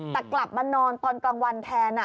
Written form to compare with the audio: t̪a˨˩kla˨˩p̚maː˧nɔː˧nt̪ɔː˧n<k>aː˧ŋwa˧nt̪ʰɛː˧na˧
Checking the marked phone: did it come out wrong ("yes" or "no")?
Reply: no